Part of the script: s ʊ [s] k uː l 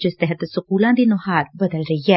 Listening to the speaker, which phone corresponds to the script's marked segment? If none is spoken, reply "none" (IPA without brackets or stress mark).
none